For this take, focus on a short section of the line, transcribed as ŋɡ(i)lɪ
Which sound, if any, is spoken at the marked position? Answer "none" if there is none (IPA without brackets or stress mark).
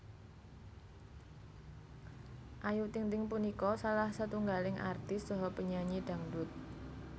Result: a